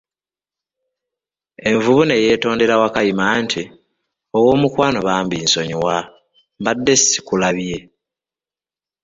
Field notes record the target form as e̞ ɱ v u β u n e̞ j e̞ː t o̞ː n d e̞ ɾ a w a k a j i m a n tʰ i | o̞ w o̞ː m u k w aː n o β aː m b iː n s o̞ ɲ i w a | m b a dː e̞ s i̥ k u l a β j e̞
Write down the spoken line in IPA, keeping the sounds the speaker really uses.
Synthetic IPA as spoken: e̞ ɱ v u β u n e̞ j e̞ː t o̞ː n d e̞ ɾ a w a k a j i m a n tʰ i | o̞ w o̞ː m u k w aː n o β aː m b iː n s o̞ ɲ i w a | m b a dː e̞ s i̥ k u l a β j e̞

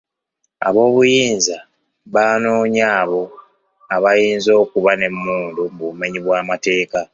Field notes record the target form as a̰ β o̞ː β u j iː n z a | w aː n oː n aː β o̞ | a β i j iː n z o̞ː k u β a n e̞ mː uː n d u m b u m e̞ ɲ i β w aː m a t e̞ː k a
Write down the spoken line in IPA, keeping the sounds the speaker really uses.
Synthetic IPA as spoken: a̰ β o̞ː β u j iː n z a | β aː n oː ɲ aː β o̞ | a β a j iː n z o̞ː k u β a n e̞ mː uː n d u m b u m e̞ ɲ i β w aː m a t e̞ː k a

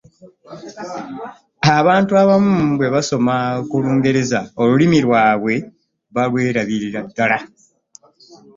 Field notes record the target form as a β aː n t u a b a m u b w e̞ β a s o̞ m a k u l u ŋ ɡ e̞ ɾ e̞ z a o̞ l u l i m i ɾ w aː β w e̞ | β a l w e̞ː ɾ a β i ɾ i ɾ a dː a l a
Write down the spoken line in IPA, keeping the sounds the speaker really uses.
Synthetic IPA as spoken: a β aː n t u a β a m u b w e̞ β a s o̞ m a k u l uː ŋ ɡ e̞ ɾ e̞ z a o̞ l u l i m i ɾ w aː β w e̞ | β a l w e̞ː ɾ a β i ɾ i ɾ a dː a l a

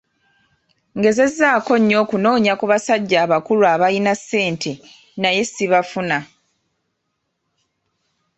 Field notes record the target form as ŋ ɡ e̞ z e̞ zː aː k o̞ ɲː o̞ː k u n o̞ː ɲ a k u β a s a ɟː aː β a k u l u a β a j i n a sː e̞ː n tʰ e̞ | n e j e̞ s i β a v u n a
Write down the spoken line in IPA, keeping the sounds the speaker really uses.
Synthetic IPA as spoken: ŋ ɡ e̞ z e̞ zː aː k o̞ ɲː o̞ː k u n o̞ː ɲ a k u β a s a ɟː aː β a k u l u a β a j i n a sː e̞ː n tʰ e̞ | n a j e̞ s i β a f u n a

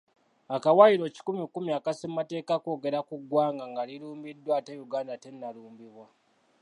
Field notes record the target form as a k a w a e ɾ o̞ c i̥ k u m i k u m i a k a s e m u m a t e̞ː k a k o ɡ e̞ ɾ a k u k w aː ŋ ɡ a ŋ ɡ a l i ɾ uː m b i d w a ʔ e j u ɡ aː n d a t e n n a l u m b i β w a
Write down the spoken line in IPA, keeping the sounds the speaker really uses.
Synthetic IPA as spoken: a k a w a i ɾ o̞ c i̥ k u m i k u m i a k a s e m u m a t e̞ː k a k o ɡ e̞ ɾ a k u ɡ w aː ŋ ɡ a ŋ ɡ a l i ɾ uː m b i d w a t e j u ɡ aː n d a t e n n a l uː m b i β w a

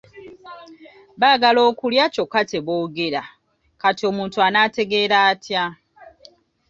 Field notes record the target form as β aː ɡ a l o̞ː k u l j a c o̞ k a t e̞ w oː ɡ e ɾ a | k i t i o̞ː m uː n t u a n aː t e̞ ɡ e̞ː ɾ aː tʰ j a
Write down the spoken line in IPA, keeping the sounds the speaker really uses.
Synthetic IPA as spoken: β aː ɡ a l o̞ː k u l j a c o̞ k a t e̞ β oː ɡ e ɾ a | k a t i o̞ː m uː n t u a n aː t e̞ ɡ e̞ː ɾ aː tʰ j a

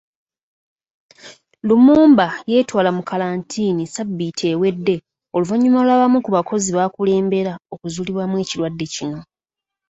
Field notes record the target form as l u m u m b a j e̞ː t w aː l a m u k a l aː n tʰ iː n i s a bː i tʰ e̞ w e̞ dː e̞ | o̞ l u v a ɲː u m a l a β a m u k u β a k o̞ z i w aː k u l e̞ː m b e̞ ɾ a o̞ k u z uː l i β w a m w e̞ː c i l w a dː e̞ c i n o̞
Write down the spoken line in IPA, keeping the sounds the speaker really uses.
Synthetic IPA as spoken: l u m uː m b a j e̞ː t w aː l a m u k a l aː n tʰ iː n i s a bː i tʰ e̞ w e̞ dː e̞ | o̞ l u v a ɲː u m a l a β a m u k u β a k o̞ z i β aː k u l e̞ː m b e̞ ɾ a o̞ k u z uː l i β w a m w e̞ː c i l w a dː e̞ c i n o̞

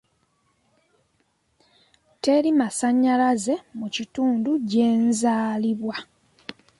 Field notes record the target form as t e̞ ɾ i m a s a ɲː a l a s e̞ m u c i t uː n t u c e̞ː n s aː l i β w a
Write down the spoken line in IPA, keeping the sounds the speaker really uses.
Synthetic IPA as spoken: t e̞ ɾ i m a s a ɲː a l a z e̞ m u c i t uː n d u ɟ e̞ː n z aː l i β w a

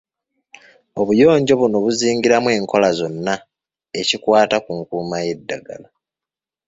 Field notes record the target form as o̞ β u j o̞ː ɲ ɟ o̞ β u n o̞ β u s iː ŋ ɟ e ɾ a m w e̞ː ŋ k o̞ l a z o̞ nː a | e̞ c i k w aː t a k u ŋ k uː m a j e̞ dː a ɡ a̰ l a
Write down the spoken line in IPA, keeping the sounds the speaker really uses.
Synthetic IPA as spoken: o̞ β u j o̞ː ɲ ɟ o̞ β u n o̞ β u z iː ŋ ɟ i ɾ a m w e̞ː ŋ k o̞ l a z o̞ nː a | e̞ c i k w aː t a k u ŋ k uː m a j e̞ dː a ɡ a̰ l a

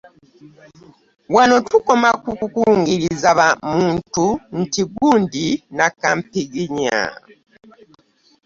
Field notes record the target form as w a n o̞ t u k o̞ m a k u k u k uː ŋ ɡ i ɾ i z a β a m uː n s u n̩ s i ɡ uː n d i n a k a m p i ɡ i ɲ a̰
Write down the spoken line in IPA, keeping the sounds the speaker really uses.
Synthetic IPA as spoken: w a n o̞ t u k o̞ m a k u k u k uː ŋ ɡ i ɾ i z a β a m uː n t u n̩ t i ɡ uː n d i n a k a m p i ɡ i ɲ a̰

